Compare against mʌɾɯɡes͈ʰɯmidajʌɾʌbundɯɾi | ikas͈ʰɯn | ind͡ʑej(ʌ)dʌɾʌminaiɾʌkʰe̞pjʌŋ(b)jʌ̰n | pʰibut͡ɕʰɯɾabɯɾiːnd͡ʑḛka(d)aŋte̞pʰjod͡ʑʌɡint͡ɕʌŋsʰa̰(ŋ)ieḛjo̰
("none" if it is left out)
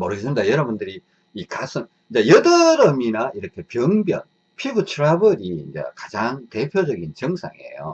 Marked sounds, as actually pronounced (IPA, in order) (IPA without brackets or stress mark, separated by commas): ʌ, b, d͡ʑ, ŋ